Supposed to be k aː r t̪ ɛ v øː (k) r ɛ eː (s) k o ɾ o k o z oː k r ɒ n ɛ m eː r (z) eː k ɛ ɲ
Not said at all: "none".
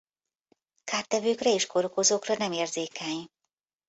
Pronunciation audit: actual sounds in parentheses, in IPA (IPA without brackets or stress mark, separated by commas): k, ʃ, z